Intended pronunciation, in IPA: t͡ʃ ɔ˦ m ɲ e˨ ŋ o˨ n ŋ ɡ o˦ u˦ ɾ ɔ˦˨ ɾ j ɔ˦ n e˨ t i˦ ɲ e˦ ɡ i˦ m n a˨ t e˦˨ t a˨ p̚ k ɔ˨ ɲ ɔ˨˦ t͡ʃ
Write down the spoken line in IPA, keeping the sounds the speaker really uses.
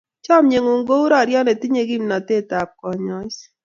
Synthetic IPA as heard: t͡ʃ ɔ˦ m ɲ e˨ ŋ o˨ ŋ ɡ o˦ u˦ ɾ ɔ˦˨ ɾ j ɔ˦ n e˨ t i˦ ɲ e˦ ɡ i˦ m n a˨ t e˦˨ t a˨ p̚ k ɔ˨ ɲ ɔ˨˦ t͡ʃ